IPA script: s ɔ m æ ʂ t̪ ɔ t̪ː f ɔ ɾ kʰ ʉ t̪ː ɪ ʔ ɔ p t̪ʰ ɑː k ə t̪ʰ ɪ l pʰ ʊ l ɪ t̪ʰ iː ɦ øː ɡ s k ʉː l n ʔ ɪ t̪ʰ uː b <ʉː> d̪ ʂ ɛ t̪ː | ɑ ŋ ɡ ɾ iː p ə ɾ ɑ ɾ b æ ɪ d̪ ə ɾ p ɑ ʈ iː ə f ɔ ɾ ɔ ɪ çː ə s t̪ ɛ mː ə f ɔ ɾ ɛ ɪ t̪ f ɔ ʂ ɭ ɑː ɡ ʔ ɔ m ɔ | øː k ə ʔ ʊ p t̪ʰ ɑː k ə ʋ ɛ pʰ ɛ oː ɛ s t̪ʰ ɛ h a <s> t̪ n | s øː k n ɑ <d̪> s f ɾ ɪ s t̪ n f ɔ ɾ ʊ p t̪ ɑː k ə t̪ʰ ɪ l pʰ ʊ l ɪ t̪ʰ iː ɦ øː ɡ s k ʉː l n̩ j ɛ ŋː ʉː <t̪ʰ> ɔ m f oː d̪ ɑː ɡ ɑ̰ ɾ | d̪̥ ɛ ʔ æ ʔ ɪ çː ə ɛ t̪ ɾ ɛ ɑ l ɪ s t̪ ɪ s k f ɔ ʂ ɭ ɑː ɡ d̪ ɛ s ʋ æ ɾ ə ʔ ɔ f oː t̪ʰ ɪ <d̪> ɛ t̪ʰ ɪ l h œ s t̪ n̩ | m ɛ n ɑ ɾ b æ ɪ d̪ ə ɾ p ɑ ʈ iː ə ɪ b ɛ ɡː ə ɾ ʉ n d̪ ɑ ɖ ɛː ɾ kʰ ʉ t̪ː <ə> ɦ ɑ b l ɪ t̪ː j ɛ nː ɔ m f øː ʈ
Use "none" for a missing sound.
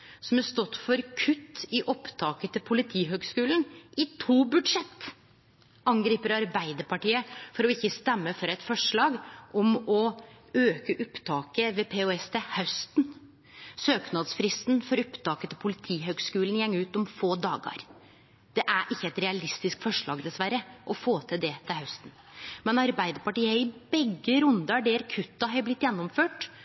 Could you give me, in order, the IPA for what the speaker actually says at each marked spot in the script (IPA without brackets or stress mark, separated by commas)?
ʉ, s, d̪, t̪, d̪, ɑ